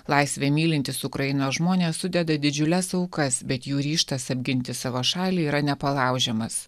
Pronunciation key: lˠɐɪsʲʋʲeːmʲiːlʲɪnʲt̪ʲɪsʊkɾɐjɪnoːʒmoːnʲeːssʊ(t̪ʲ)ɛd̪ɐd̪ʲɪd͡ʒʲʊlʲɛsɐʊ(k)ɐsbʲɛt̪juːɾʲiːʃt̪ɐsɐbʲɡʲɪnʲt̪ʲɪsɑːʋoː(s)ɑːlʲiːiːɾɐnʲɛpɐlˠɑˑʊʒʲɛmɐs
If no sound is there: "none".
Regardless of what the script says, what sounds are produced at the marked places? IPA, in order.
d̪ʲ, k, ʃ

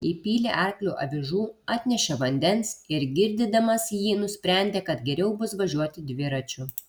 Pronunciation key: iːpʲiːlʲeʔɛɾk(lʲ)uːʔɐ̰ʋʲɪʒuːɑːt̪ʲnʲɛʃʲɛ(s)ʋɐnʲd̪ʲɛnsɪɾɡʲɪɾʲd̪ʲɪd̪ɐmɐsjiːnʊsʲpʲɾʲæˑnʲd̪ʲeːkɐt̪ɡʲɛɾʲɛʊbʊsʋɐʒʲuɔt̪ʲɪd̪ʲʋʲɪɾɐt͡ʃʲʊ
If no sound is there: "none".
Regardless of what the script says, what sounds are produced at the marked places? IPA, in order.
lʲ, none

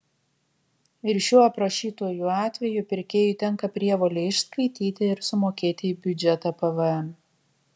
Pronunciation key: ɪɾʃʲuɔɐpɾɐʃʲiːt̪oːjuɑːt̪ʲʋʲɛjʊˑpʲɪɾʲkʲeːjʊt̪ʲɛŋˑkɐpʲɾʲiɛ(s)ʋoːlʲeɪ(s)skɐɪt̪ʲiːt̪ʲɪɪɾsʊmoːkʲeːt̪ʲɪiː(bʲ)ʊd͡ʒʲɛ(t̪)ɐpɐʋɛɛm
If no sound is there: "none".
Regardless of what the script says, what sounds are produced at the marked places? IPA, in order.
none, ʃ, bʲ, t̪

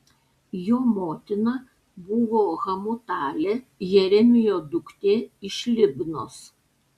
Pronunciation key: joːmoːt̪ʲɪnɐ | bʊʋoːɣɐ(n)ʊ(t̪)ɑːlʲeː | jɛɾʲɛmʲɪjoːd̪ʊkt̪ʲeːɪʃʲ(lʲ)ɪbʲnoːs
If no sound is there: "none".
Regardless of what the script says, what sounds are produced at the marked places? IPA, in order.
m, t̪, lʲ

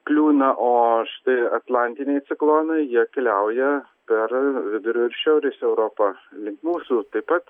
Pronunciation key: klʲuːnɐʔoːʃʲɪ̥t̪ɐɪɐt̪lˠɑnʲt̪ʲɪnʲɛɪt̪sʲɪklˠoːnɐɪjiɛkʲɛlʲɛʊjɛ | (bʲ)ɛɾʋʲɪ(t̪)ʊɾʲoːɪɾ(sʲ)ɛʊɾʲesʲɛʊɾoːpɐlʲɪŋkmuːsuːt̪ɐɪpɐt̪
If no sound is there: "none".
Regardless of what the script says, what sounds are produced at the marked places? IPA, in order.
pʲ, d̪, ʃʲ

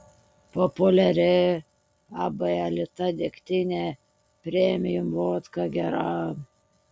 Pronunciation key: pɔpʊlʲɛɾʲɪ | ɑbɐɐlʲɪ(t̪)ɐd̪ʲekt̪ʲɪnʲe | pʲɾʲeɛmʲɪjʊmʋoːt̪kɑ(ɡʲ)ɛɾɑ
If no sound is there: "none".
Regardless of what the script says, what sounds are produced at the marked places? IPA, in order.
t̪, ɡʲ

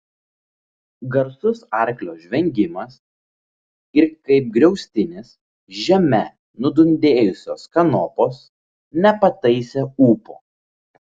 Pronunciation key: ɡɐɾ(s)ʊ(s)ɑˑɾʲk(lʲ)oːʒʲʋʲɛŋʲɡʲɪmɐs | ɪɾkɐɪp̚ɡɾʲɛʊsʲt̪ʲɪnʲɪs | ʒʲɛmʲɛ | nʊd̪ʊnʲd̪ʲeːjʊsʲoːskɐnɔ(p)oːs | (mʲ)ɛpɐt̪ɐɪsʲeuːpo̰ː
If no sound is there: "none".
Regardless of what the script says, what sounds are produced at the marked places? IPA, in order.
s, s, lʲ, p, nʲ

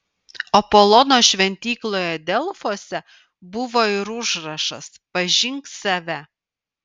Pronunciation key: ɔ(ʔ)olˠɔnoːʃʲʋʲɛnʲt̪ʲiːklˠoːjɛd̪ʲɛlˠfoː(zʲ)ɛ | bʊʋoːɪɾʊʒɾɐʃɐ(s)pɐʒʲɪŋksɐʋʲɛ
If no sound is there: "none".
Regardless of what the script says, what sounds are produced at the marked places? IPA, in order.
p, sʲ, s

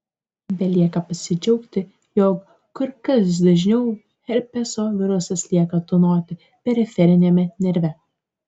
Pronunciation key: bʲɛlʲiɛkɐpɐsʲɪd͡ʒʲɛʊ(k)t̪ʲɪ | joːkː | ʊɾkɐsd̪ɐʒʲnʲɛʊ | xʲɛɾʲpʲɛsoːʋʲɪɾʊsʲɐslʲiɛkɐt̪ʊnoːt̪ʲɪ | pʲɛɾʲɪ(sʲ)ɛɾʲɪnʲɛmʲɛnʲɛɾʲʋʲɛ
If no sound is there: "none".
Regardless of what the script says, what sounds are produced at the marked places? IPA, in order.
k, fʲ

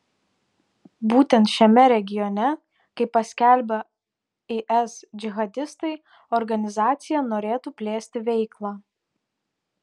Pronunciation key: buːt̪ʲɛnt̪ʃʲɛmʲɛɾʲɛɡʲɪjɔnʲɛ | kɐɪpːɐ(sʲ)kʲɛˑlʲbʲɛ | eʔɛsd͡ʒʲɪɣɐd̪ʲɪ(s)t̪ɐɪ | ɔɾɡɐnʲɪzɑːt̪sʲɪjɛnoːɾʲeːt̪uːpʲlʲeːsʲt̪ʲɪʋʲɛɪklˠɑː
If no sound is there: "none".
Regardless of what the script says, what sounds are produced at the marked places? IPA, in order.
sʲ, s

